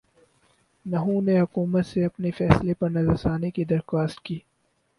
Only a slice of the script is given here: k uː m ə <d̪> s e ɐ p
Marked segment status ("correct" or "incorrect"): incorrect